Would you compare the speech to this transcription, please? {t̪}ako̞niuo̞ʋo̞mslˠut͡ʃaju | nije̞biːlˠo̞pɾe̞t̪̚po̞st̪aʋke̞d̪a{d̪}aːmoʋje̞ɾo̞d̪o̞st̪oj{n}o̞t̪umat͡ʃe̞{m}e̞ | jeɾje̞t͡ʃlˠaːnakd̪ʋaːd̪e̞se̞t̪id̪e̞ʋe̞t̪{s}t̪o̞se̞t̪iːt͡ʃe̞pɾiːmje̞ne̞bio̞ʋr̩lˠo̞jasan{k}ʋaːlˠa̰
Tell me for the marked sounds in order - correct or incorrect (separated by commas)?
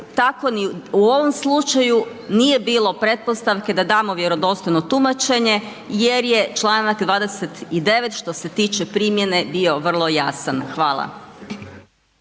correct, correct, correct, incorrect, incorrect, incorrect